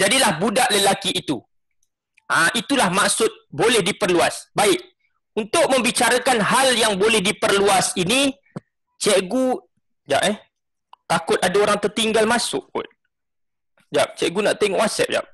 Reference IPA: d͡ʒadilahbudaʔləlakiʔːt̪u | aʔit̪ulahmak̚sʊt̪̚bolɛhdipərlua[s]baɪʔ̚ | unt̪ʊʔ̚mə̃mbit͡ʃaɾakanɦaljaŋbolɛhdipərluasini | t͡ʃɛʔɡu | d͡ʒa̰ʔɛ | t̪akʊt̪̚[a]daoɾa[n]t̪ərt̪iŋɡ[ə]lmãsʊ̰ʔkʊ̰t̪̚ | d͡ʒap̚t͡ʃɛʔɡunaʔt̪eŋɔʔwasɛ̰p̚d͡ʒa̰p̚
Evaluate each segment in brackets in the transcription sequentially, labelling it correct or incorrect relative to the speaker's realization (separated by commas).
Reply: correct, correct, incorrect, incorrect